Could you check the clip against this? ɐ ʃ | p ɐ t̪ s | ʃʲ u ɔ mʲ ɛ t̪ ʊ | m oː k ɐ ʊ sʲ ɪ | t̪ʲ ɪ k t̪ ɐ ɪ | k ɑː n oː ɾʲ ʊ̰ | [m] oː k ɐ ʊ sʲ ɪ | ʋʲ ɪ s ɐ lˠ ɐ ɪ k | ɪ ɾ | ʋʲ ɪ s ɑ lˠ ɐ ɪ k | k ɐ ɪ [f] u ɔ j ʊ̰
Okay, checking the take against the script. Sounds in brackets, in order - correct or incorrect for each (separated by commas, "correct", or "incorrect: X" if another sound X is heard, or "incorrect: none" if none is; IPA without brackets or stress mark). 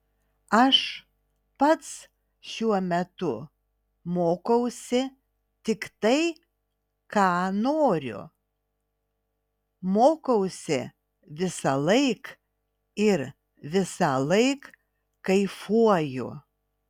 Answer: correct, correct